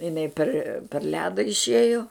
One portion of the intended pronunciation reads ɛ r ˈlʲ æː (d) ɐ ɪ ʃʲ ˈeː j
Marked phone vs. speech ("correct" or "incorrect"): correct